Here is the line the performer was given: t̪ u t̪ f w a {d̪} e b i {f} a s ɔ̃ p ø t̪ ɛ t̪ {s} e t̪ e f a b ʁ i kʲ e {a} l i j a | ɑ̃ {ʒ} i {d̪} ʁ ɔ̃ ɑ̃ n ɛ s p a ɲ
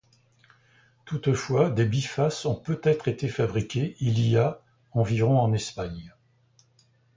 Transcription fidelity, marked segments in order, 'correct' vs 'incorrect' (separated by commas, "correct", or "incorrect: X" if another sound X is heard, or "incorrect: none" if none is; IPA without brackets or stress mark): correct, correct, incorrect: χ, incorrect: i, incorrect: v, incorrect: none